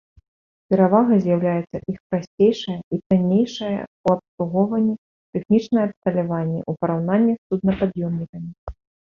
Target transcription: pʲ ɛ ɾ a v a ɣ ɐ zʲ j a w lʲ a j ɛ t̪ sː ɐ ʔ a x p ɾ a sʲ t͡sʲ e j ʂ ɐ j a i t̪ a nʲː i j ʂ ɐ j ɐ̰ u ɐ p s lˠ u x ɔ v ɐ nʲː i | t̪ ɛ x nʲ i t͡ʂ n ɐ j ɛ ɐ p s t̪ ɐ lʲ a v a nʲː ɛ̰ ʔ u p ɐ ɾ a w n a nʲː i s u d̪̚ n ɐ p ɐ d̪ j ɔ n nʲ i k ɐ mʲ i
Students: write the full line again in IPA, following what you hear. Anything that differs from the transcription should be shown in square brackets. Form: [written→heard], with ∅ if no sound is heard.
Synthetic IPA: pʲ ɛ ɾ a v a ɣ ɐ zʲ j a w lʲ a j ɛ t̪ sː ɐ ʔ [a→i] x p ɾ a sʲ t͡sʲ e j ʂ ɐ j [a→ɐ] i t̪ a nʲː [i→e] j ʂ ɐ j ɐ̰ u ɐ p s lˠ u [x→ɣ] ɔ v ɐ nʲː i | t̪ ɛ x nʲ i t͡ʂ n ɐ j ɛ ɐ p s t̪ ɐ lʲ a v a nʲː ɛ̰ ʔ u p ɐ ɾ a w n a nʲː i s u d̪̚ n ɐ p [ɐ→a] d̪ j ɔ [n→m] nʲ i k ɐ mʲ i